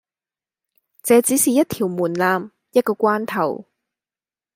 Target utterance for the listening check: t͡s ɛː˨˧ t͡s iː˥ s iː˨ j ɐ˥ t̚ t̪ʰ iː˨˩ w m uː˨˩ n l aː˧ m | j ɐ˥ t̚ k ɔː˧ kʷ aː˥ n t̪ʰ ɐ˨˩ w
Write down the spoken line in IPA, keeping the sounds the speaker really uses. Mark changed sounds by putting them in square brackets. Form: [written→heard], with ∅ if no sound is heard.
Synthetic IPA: t͡s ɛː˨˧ t͡s [iː˥→iː˨˥] s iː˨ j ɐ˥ t̚ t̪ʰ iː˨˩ w m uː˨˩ n l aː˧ m | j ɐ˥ t̚ k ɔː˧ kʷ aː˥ n t̪ʰ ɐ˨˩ w